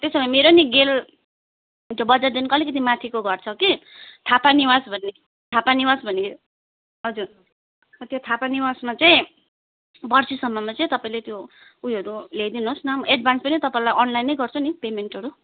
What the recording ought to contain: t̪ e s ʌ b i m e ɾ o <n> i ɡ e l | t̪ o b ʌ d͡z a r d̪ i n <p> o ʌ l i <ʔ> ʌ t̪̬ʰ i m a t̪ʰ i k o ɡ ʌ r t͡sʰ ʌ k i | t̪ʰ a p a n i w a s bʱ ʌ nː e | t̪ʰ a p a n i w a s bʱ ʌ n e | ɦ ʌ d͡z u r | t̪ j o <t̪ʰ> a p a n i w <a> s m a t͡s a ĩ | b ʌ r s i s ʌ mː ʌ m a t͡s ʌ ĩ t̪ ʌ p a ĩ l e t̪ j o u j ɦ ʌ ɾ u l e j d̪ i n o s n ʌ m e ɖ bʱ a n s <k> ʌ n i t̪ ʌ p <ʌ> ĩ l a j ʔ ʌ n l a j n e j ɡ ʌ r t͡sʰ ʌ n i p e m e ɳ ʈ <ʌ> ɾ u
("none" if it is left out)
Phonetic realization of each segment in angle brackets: n, k, k, t̪ʰ, a, p, a, ʌ

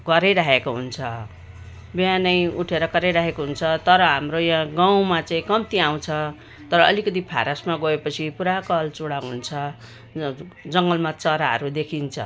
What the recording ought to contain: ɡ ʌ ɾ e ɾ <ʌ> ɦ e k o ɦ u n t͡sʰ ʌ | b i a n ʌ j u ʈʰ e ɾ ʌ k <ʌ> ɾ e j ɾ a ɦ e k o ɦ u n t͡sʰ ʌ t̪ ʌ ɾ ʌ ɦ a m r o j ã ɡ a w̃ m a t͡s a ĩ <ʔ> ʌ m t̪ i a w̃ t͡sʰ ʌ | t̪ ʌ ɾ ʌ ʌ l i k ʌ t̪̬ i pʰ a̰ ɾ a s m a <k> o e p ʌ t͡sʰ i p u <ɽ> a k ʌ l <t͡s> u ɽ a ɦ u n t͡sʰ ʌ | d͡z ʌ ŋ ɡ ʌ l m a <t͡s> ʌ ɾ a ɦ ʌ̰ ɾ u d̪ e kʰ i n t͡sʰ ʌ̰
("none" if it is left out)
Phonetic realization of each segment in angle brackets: a, ʌ, k, ɡ, ɾ, t͡s, t͡s

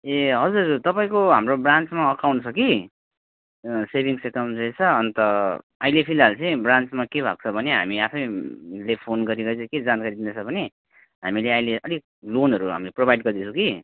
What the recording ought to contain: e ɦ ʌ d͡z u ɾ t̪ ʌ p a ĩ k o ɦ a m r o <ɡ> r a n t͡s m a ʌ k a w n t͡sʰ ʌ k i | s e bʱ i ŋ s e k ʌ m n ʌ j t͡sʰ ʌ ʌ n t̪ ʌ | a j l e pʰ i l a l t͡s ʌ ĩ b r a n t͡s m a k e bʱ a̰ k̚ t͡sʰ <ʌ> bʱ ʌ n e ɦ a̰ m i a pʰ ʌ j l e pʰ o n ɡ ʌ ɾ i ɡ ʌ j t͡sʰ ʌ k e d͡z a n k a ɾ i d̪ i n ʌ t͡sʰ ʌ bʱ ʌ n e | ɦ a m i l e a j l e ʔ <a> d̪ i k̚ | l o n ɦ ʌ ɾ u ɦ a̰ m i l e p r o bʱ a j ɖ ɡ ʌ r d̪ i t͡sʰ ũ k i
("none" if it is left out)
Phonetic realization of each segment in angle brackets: b, ʌ, ʌ

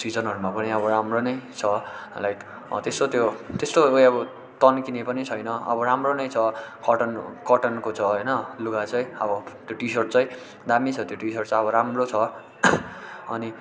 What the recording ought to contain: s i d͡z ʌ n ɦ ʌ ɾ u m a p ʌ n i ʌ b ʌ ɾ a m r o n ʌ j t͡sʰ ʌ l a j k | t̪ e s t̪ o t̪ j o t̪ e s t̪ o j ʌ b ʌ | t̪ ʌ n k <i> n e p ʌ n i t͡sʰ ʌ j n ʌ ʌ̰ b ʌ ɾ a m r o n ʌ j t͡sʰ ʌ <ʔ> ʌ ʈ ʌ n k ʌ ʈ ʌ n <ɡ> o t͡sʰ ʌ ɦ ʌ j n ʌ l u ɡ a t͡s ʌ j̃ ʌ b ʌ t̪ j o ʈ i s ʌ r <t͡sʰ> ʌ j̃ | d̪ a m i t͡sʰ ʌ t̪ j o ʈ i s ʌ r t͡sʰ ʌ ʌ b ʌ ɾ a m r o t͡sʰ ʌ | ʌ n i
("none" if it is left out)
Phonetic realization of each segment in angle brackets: i, k, k, t͡s

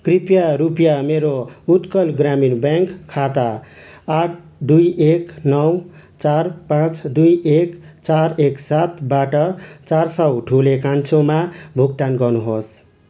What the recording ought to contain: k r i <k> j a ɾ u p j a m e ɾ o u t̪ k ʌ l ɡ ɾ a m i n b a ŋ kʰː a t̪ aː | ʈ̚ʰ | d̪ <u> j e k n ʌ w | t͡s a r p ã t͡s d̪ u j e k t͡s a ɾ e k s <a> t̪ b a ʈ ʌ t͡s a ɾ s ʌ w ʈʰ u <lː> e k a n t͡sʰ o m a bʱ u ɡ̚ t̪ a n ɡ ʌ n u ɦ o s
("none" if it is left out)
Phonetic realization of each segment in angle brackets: p, u, a, l

